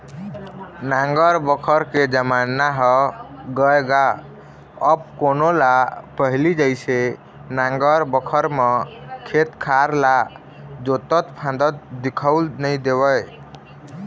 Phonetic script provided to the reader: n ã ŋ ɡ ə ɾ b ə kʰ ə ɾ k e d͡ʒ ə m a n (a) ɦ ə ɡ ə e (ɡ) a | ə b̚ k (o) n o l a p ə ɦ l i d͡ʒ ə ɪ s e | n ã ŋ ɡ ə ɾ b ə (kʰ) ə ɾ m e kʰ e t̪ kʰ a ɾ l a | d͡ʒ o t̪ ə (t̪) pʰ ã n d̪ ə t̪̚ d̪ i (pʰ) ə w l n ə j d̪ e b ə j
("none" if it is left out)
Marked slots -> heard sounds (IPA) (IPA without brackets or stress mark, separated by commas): a, ɡ, o, kʰ, t̪, kʰ